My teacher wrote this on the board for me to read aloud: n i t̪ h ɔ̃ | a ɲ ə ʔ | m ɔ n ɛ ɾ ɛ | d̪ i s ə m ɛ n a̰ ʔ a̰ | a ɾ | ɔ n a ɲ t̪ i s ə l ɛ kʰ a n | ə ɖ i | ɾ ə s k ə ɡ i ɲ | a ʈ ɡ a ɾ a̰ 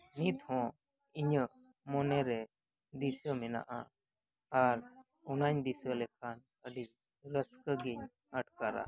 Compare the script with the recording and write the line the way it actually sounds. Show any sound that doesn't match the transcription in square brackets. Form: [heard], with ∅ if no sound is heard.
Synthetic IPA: n i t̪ h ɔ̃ | [i] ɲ ə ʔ | m ɔ n ɛ ɾ ɛ | d̪ i s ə m ɛ n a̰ ʔ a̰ | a ɾ | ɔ n a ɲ [d̪] i s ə l ɛ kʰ a n | ə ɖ i | ɾ ə s k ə ɡ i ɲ | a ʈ [k] a ɾ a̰